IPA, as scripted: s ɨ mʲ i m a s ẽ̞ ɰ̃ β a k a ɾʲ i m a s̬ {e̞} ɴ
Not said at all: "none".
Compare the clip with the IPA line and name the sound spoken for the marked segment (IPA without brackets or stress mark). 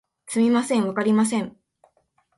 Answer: ẽ̞